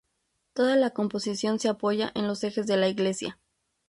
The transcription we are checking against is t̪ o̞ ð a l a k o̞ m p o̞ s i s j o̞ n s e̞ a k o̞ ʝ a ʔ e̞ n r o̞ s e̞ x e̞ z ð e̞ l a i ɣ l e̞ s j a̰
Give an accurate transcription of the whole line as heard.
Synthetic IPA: t̪ o̞ ð a l a k o̞ m p o̞ s i s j o̞ n s e̞ a p o̞ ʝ a ʔ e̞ n l o̞ s e̞ x e̞ z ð e̞ l a i ɣ l e̞ s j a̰